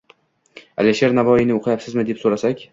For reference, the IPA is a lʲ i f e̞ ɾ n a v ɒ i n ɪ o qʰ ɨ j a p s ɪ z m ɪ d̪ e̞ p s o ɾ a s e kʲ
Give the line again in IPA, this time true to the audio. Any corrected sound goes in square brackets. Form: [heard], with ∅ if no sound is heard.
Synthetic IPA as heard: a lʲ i [ʃ] e̞ ɾ n a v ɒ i n ɪ o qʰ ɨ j a p s ɪ z m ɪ d̪ e̞ p s o ɾ a s [a] kʲ